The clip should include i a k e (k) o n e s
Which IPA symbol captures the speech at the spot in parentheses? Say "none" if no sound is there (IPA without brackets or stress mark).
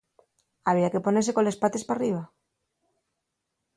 p